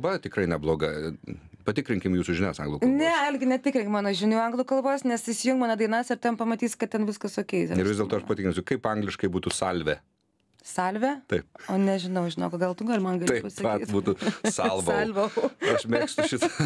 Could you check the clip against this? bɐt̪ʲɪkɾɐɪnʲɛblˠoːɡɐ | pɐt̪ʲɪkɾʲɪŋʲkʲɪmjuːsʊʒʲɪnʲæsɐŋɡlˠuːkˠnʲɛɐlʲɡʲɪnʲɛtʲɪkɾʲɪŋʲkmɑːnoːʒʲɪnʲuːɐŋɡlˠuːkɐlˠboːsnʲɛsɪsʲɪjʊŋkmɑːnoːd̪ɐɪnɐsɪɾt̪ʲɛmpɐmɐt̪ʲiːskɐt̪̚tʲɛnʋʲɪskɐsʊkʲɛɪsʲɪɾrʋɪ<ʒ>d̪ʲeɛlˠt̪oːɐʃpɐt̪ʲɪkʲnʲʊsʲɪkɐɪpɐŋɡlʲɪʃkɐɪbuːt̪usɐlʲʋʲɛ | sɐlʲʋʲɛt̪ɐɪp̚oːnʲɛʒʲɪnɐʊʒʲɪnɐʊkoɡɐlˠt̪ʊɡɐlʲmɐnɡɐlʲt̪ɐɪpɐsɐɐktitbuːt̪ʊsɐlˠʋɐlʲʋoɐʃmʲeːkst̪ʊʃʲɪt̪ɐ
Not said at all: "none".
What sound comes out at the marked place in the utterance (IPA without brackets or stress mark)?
z